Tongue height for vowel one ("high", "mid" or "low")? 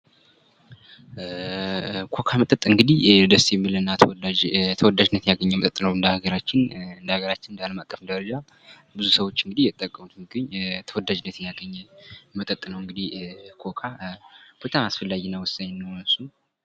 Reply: mid